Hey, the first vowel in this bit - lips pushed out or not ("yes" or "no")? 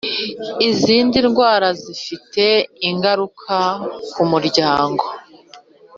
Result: no